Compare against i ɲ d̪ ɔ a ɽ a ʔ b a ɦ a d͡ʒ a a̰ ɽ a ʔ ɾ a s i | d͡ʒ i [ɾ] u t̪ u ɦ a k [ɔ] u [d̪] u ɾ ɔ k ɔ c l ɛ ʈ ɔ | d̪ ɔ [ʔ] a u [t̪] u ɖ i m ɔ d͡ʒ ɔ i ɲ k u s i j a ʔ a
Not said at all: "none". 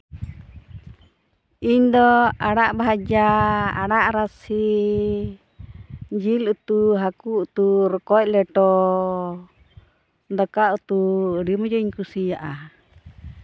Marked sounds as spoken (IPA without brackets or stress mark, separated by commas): l, u, t̪, k, t̪